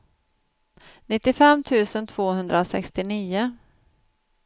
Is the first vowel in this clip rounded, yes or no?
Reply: no